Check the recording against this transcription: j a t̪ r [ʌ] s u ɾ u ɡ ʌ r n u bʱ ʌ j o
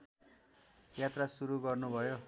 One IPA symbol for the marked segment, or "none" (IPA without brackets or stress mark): a